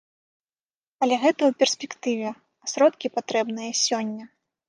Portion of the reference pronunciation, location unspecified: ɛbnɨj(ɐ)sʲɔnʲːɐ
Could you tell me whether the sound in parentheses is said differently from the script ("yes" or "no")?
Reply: no